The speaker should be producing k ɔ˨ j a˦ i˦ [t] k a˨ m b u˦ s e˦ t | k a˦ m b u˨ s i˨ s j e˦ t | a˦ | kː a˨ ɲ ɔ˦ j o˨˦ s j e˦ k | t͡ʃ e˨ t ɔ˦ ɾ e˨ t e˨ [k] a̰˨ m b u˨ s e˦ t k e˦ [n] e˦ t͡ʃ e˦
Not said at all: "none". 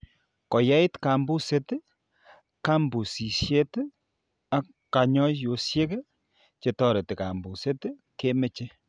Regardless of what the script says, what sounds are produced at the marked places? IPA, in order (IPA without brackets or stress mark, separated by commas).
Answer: t, k, m